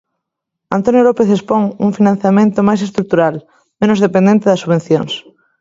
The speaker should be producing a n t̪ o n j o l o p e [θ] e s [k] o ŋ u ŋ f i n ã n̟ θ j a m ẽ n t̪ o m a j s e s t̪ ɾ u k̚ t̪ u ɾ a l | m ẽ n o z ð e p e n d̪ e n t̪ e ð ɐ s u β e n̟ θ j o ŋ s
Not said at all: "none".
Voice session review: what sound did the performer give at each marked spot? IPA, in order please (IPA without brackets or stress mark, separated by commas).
θ, p